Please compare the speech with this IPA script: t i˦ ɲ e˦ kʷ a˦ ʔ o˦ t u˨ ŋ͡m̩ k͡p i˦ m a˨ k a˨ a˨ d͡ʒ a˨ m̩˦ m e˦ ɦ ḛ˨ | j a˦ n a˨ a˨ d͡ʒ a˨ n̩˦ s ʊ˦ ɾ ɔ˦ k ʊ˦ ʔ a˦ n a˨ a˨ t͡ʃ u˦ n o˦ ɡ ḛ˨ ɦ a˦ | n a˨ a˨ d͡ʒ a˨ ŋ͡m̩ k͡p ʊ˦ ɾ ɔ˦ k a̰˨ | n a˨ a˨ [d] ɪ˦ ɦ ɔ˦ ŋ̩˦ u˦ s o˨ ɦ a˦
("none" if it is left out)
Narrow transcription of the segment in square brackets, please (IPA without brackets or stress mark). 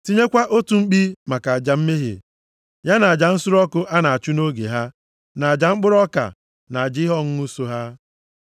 d͡ʒ